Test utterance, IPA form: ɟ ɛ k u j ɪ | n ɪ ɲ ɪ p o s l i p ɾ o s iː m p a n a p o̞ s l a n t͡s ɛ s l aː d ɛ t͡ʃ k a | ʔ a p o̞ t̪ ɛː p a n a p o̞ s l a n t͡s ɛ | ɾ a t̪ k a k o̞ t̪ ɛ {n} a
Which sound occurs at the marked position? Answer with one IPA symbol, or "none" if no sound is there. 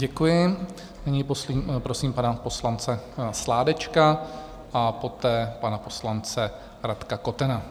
n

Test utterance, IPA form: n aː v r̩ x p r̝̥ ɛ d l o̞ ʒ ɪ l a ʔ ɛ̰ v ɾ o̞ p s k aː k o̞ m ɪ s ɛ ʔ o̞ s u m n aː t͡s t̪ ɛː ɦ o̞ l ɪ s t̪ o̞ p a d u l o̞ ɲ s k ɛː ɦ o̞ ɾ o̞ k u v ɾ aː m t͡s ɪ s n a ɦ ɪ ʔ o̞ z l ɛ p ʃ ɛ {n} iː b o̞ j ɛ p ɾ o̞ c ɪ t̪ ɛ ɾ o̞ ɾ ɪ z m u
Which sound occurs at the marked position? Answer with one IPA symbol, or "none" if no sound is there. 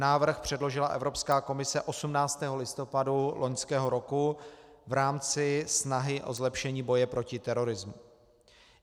ɲ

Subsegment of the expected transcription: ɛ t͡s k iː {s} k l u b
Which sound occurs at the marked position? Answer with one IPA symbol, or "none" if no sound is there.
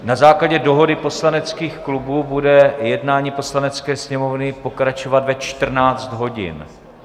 x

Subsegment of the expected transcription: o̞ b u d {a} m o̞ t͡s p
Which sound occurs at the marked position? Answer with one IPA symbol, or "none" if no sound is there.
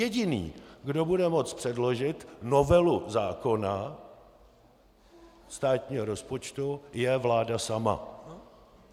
ɛ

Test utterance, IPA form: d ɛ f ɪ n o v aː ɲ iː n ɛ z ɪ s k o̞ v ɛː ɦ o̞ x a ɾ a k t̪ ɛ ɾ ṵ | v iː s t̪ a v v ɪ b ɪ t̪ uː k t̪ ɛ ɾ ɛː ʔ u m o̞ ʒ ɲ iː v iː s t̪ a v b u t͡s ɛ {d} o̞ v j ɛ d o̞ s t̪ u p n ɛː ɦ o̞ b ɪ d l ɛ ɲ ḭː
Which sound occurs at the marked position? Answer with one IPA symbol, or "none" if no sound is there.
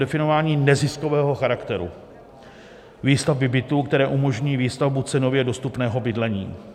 n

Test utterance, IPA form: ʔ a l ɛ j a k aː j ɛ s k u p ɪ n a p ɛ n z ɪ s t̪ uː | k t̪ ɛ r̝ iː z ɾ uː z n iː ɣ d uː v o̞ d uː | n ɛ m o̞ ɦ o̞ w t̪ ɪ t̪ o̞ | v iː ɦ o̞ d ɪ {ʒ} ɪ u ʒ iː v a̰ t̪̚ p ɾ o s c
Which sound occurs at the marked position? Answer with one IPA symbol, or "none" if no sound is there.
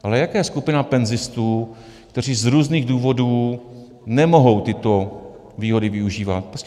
v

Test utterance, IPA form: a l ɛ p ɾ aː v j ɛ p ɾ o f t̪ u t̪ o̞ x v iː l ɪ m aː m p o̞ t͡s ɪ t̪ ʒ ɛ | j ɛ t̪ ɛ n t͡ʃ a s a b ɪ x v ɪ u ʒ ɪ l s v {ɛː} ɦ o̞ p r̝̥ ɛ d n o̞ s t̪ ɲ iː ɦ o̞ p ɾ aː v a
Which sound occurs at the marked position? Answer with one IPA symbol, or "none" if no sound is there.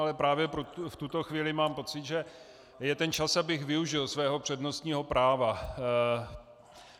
ɛː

